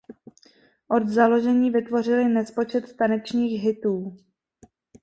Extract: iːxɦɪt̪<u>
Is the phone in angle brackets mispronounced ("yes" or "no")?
yes